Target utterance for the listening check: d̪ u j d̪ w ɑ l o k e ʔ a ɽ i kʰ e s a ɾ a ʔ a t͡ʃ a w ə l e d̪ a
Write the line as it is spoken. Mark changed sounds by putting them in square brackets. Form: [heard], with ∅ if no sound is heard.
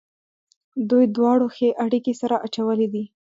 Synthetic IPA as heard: d̪ u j d̪ w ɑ [ɽ] o [x] e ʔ a ɽ i [k] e s a ɾ a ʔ a t͡ʃ a w ə l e d̪ [i]